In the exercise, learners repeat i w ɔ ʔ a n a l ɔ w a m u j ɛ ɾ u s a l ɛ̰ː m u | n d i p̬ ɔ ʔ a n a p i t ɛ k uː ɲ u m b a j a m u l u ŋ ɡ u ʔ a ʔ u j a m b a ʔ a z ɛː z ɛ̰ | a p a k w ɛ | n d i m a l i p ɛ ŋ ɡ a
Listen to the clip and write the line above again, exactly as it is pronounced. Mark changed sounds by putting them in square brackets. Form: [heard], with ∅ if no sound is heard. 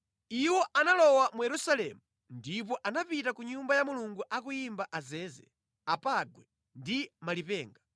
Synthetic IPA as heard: i w ɔ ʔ a n a l ɔ w a m u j ɛ ɾ u s a l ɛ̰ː m u | n d i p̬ ɔ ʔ a n a p i t [a] k [u] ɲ u m b a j a m u l u ŋ ɡ u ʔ a [k] u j [i] m b a ʔ a z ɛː z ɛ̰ | a p a [ɡ] w ɛ | n d i m a l i p [ɛː] ŋ ɡ a